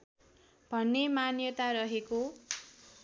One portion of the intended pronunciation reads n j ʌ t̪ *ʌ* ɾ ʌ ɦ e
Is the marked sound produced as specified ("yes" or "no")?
no